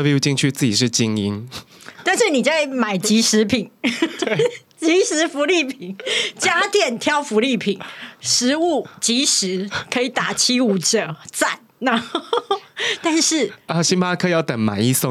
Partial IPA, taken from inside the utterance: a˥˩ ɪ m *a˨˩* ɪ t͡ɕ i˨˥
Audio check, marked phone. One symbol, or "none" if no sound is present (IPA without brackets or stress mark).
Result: a˨˩